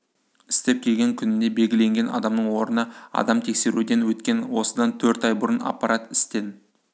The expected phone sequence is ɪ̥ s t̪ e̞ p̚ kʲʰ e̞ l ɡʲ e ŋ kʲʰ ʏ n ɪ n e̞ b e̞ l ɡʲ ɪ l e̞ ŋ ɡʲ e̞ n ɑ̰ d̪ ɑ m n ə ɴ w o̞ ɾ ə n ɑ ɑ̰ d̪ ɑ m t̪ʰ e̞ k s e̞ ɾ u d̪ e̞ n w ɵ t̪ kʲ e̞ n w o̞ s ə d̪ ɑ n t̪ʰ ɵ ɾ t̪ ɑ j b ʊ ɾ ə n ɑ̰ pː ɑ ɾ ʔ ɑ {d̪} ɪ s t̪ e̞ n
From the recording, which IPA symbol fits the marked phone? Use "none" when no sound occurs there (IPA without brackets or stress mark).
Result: t̪